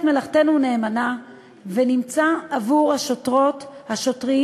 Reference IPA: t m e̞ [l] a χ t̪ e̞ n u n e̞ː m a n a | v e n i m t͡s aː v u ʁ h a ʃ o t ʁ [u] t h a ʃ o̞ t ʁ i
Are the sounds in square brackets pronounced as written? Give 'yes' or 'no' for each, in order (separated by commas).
yes, no